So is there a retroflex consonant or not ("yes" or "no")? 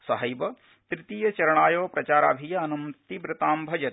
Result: yes